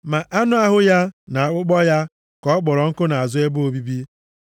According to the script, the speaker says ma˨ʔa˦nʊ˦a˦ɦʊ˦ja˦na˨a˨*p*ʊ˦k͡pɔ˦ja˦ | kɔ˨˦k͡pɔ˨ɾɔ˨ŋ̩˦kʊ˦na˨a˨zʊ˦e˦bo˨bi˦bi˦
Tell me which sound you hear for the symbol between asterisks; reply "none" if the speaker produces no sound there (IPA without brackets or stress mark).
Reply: k͡p